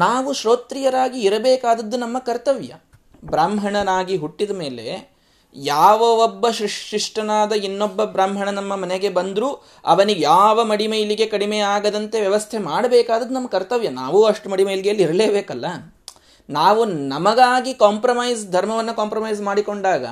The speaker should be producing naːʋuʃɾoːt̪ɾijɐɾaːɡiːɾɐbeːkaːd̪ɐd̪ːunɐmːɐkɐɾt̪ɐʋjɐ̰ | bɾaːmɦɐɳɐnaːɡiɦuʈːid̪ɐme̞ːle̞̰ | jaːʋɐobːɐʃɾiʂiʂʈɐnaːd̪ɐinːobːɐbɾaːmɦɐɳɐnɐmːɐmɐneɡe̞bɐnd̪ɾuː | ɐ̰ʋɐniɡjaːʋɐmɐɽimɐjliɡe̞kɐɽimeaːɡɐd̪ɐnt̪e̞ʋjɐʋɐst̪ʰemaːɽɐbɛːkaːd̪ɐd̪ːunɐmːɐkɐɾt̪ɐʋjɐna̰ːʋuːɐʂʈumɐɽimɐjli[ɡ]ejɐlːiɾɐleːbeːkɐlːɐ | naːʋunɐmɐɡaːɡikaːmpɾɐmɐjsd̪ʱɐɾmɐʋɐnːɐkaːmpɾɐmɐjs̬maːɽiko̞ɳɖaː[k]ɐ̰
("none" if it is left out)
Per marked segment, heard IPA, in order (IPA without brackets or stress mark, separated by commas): ɡ, ɡ